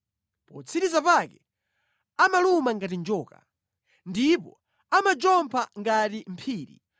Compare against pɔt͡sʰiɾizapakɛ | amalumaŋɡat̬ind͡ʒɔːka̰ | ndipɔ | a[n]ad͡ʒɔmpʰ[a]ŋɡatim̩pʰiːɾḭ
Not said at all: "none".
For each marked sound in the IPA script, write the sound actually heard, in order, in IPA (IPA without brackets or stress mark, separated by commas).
m, a